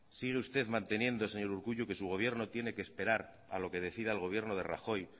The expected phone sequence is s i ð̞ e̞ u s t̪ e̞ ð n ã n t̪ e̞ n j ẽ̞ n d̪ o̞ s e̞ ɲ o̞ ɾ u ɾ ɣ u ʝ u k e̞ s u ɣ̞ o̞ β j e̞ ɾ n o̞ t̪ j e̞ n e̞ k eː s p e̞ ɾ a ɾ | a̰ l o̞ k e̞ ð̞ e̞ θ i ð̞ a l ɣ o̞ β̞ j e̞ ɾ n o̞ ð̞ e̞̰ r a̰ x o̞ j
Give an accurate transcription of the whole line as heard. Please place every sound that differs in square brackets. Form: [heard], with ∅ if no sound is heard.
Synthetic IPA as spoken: s i [ɣ̞] e̞ u s t̪ e̞ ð [m] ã n t̪ e̞ n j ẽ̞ n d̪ o̞ s e̞ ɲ o̞ ɾ u ɾ ɣ u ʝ u k e̞ s u ɣ̞ o̞ β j e̞ ɾ n o̞ t̪ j e̞ n e̞ k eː s p e̞ ɾ a ɾ | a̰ l o̞ k e̞ ð̞ e̞ θ i ð̞ a l ɣ o̞ β̞ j e̞ ɾ n o̞ ð̞ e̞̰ r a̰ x o̞ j